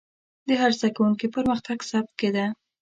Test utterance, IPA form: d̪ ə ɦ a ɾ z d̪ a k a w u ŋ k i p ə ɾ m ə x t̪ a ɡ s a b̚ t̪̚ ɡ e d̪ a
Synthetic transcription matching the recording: d̪ ə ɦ a ɾ z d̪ a k a w u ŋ k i p ə ɾ m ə x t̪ a ɡ s a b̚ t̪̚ k e d̪ a